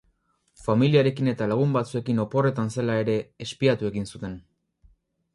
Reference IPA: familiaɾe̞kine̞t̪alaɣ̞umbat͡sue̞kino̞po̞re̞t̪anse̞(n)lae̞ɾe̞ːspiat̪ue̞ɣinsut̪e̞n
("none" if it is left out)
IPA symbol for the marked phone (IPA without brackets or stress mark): none